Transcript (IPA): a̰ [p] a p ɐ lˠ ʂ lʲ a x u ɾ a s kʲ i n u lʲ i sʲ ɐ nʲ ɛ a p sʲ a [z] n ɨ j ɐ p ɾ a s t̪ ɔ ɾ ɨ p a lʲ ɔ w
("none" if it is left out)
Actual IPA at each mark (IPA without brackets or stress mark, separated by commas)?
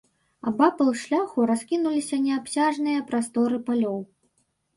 b, ʐ